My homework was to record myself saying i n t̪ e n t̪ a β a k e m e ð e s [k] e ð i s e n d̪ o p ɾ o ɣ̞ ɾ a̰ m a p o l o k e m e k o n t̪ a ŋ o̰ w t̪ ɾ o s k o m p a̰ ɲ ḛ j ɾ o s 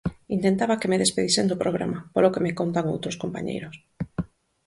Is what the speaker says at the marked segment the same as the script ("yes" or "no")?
no